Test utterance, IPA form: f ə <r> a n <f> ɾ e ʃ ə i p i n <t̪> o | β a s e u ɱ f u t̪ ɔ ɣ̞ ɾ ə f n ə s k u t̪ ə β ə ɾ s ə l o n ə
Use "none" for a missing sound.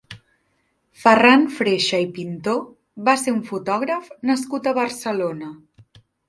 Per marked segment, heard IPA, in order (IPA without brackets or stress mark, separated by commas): r, f, t̪